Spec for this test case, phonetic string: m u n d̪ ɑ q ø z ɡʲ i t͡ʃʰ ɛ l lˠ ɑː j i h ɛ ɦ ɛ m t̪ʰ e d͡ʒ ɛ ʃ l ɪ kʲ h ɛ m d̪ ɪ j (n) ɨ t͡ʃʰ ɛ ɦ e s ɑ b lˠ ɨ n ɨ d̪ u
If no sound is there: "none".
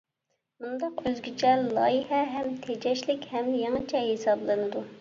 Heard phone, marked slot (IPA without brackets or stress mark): ŋ